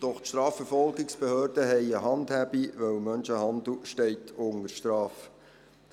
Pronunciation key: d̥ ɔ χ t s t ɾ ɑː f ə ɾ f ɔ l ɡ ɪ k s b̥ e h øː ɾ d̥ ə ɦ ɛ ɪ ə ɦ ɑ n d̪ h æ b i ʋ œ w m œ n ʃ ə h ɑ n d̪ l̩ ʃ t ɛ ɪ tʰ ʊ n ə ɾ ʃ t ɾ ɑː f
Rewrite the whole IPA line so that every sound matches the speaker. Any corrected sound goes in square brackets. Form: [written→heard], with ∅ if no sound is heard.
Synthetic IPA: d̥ ɔ χ t [s→ʃ] t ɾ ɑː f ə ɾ f ɔ l ɡ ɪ k s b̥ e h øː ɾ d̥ ə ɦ ɛ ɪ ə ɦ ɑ n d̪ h æ b i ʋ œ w m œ n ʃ ə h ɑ n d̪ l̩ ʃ t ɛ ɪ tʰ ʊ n ə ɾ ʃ t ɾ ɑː f